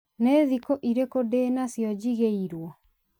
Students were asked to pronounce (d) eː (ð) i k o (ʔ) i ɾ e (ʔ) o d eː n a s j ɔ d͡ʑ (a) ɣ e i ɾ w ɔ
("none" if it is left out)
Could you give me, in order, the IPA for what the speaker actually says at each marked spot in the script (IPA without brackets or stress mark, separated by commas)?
n, ð, ʔ, k, i